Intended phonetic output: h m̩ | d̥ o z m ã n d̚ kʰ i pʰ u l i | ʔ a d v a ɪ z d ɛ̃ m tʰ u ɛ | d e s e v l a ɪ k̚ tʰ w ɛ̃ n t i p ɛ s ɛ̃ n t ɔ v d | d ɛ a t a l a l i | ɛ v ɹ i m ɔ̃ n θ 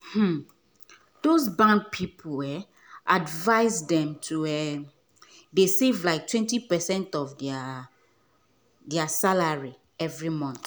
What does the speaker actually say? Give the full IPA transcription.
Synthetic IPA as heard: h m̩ | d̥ o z b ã n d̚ pʰ i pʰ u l ɛ | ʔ a d v a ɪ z d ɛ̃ m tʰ u ɛ | d e s e v l a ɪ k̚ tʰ w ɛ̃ n t i p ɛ s ɛ̃ n t ɔ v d | d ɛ a s a l a ɹ i | ɛ v ɹ i m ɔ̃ n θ